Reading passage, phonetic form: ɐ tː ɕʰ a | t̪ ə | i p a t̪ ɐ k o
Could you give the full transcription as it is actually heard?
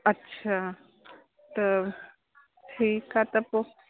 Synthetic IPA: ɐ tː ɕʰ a | t̪ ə | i k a t̪ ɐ p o